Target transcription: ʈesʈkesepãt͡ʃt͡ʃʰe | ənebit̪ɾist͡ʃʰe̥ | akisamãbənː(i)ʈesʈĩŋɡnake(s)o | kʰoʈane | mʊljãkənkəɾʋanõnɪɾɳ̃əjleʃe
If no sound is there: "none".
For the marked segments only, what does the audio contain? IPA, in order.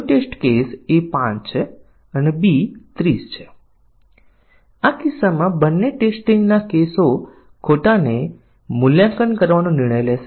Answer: e, s

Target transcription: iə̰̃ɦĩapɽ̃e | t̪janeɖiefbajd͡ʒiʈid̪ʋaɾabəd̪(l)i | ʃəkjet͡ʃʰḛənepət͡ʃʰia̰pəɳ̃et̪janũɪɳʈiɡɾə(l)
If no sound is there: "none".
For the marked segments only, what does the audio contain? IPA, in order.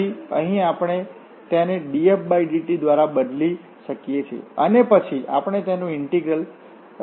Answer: l, l

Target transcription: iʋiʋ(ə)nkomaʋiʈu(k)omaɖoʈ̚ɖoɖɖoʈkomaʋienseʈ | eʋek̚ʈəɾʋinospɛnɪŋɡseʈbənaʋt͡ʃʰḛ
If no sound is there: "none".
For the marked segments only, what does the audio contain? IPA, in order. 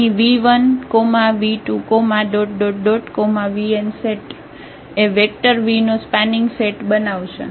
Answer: ə, k

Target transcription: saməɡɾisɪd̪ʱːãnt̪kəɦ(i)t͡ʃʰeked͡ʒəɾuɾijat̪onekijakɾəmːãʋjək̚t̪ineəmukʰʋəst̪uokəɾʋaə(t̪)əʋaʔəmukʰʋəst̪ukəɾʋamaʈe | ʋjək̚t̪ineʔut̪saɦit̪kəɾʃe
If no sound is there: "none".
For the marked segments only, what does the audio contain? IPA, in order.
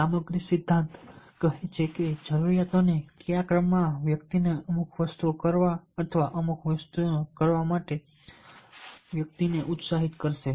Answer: e, t̪ʰ

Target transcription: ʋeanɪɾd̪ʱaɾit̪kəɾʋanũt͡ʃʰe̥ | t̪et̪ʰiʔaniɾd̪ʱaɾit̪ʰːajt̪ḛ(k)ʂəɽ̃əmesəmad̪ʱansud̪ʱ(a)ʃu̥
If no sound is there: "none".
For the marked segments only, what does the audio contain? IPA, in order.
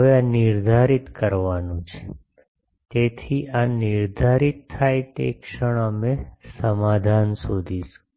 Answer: k, i

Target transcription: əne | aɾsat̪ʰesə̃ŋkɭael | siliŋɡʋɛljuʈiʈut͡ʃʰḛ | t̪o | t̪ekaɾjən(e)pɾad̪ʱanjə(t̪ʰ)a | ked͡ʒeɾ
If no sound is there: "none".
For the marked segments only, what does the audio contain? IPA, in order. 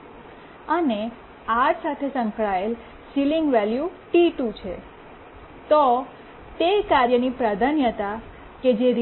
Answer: i, t̪

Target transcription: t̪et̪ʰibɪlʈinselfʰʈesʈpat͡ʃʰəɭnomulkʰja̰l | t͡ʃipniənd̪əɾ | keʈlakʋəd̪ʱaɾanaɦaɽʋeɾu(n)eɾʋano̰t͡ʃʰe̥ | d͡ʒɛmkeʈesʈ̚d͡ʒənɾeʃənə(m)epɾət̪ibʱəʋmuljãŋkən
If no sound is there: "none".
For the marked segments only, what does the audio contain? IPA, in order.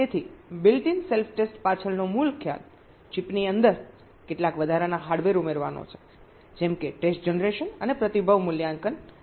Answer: m, n

